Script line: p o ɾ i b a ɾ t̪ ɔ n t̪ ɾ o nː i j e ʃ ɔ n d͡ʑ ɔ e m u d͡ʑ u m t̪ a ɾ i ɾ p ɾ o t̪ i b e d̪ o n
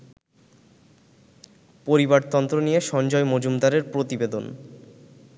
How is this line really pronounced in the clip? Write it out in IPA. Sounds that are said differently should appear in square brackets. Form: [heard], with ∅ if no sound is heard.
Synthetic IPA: p o ɾ i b a ɾ t̪ ɔ n t̪ ɾ o [n] i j e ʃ ɔ n d͡ʑ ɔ e m [o] d͡ʑ u m [d̪] a ɾ [e] ɾ p ɾ o t̪ i b e d̪ o n